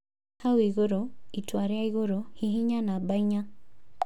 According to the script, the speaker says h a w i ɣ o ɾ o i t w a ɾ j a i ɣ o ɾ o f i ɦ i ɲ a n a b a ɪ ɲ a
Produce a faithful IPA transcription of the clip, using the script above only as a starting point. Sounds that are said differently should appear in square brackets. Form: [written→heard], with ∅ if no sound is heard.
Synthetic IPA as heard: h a w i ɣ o ɾ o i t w a ɾ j a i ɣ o ɾ o [f→h] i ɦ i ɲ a n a b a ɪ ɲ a

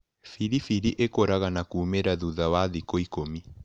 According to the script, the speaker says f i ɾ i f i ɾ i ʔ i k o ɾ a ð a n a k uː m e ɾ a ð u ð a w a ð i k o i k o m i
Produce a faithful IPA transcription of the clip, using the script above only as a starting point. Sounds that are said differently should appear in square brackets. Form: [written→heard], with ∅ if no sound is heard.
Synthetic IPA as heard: f i ɾ i f i ɾ i ʔ [i→e] k o ɾ a [ð→ɣ] a n a k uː m e ɾ a ð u ð a w a ð i k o i k o m i

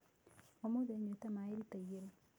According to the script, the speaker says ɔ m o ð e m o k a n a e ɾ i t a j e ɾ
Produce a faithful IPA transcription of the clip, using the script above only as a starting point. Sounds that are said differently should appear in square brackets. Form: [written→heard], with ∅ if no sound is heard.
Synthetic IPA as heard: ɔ m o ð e [m→ɲ] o [k→t] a [n→m] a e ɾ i t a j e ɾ

